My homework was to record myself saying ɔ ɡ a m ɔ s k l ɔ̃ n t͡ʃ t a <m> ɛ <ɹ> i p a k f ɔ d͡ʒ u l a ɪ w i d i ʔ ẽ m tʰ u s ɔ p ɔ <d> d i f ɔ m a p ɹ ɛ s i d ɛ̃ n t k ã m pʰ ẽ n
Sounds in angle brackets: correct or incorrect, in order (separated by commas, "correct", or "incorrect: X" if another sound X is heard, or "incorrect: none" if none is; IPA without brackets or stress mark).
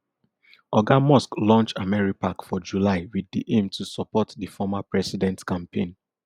correct, correct, incorrect: t